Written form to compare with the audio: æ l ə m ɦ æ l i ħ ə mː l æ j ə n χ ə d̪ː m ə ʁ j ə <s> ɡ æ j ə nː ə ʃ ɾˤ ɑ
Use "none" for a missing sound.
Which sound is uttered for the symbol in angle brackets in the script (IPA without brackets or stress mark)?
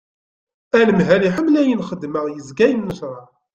z